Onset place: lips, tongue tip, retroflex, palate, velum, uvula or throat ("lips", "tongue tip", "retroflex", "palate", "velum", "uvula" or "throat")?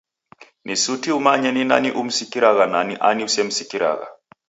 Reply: tongue tip